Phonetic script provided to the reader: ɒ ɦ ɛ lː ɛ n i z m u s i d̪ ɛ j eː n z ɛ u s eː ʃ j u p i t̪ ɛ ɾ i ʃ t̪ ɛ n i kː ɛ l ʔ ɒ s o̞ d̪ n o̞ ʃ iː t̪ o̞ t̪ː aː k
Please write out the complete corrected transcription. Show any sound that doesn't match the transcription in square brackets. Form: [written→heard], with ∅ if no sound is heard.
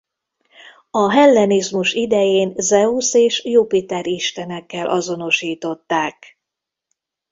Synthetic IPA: ɒ ɦ ɛ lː ɛ n i z m u [s→ʃ] i d̪ ɛ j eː n z ɛ u s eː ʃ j u p i t̪ ɛ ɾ i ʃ t̪ ɛ n [i→ɛ] kː ɛ l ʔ ɒ [s→z] o̞ [d̪→∅] n o̞ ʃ iː t̪ o̞ t̪ː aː k